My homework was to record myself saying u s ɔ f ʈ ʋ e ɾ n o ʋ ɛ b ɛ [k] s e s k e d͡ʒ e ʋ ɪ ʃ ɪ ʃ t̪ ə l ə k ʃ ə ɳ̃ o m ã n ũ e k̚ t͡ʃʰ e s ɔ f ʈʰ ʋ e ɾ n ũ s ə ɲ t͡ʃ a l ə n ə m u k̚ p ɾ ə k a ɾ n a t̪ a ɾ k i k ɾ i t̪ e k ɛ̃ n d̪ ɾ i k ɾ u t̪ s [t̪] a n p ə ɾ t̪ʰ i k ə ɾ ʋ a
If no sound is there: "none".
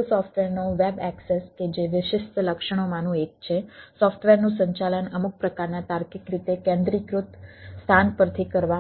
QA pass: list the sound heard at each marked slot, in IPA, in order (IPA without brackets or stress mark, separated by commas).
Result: k, t̪ʰ